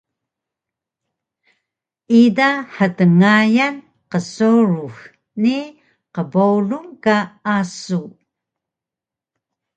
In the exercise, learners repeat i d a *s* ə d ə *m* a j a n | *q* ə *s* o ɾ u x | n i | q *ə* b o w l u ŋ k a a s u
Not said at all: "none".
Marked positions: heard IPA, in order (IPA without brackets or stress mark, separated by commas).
ħ, ŋ, q, s, ə